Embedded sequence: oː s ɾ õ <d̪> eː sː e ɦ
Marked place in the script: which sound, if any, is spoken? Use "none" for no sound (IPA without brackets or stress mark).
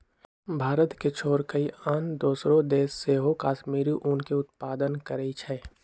d̪